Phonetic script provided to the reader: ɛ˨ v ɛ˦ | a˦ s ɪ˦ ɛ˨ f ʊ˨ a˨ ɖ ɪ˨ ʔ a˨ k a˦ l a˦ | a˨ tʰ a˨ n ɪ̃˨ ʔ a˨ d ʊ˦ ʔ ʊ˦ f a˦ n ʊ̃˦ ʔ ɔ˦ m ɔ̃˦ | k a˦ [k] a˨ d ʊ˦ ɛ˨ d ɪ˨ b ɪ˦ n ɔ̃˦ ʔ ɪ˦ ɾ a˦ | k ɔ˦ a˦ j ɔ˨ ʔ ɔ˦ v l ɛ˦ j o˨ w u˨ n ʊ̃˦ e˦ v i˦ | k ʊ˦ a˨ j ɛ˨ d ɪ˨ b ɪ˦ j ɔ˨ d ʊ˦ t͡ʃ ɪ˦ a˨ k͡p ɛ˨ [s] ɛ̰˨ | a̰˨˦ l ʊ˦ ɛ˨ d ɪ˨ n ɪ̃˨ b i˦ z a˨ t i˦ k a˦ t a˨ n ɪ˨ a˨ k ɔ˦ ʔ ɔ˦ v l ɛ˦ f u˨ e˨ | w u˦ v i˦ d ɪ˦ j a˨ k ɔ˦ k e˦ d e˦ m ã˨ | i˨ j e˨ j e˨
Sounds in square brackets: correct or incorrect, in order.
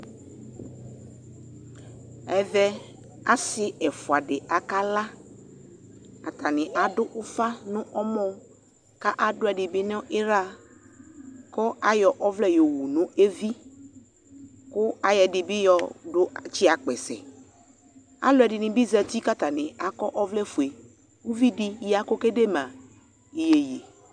incorrect: ʔ, correct

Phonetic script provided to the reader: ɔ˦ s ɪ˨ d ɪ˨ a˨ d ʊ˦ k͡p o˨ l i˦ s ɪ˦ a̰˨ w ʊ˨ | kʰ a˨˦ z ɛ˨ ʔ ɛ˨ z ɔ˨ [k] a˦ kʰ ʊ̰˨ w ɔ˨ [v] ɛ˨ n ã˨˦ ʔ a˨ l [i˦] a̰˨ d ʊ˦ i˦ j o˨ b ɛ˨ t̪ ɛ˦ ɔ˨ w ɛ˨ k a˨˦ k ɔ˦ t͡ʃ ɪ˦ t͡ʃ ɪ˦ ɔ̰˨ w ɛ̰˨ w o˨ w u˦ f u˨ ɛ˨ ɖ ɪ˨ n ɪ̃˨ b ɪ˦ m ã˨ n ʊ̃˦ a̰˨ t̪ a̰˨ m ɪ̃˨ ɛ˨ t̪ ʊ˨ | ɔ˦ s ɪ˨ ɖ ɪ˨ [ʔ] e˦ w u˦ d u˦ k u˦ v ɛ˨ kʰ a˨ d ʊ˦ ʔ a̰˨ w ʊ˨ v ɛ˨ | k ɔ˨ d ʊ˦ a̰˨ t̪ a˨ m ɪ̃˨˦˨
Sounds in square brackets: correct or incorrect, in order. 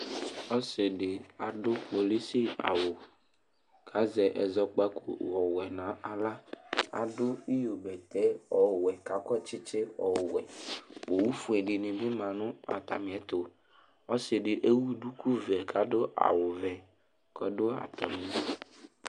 incorrect: k͡p, incorrect: w, incorrect: a˦, correct

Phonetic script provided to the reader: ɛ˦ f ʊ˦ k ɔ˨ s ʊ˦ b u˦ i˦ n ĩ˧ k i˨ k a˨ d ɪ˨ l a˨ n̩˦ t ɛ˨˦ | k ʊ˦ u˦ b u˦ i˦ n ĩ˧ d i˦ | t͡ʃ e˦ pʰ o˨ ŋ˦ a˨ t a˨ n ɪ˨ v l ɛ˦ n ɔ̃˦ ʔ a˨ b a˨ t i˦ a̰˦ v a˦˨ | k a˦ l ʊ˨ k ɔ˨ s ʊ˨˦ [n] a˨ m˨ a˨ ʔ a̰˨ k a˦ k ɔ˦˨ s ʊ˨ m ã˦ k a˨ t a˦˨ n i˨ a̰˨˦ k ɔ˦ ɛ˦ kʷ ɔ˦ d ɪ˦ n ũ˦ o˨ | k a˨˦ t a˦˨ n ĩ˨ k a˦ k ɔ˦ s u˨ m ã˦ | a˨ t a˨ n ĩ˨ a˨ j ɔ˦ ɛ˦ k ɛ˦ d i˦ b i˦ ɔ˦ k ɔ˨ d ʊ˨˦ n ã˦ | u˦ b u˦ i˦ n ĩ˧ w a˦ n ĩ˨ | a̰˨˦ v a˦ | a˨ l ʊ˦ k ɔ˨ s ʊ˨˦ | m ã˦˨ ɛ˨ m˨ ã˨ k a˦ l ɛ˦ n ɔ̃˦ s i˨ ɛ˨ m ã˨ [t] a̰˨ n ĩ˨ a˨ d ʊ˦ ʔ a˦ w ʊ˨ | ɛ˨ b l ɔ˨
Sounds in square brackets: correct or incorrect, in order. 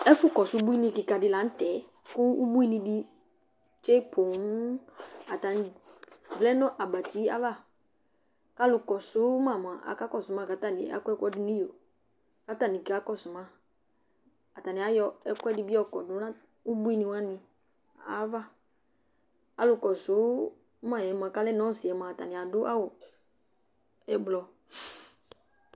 incorrect: m, correct

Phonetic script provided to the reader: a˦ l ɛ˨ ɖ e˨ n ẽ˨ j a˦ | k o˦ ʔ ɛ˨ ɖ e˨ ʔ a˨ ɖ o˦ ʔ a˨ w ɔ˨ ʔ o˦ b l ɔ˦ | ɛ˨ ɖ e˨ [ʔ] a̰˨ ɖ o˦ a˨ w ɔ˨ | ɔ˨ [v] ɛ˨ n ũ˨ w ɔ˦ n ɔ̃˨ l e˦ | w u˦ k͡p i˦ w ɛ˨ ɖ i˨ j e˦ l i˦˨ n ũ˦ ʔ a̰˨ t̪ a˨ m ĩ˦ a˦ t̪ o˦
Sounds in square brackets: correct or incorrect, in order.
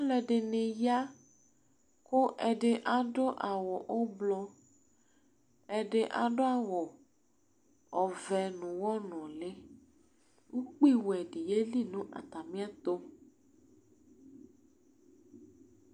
correct, correct

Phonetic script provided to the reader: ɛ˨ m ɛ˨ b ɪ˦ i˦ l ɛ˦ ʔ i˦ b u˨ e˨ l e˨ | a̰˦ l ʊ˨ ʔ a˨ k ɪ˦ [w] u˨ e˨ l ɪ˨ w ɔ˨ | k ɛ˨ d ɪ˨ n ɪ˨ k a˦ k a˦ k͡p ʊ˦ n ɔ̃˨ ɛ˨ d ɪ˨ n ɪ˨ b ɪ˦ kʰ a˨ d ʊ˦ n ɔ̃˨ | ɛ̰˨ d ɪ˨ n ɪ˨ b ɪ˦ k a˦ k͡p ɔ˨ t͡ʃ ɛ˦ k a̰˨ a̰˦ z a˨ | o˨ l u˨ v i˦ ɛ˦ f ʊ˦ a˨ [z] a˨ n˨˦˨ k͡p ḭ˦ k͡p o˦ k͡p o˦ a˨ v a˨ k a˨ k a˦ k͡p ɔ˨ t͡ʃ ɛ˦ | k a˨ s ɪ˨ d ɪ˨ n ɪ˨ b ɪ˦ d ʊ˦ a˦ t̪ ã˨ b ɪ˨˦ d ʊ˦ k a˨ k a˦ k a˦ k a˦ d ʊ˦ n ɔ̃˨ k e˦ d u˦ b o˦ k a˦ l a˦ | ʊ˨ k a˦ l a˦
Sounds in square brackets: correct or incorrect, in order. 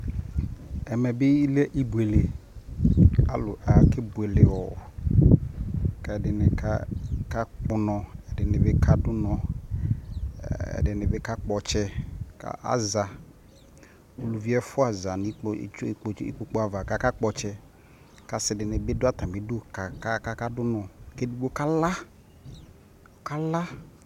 incorrect: b, correct

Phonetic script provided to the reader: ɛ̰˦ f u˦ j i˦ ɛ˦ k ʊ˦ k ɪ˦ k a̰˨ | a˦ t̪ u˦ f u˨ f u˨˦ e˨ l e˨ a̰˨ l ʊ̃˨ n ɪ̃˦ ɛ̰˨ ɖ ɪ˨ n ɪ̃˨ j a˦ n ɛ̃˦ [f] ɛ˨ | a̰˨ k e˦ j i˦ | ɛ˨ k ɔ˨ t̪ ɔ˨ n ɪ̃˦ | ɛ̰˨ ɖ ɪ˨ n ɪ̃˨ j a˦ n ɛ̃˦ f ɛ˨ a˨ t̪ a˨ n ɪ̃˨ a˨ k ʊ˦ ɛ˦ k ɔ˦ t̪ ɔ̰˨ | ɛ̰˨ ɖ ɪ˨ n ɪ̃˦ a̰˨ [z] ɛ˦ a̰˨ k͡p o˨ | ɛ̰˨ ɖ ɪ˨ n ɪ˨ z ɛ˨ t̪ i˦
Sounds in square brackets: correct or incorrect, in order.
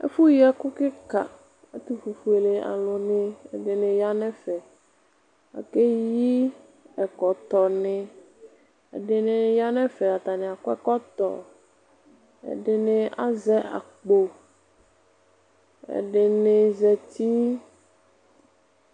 correct, correct

